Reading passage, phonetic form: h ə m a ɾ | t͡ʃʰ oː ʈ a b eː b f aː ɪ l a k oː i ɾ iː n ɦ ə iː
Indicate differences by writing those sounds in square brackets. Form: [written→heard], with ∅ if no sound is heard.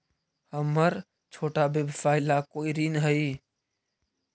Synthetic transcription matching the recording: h ə m [a→ə] ɾ | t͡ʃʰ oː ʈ a b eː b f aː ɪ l a k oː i ɾ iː n ɦ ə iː